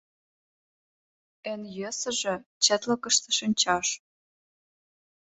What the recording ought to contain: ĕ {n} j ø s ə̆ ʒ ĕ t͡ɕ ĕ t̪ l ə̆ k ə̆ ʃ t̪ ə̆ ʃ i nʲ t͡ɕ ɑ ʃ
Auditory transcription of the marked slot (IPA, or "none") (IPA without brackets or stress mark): n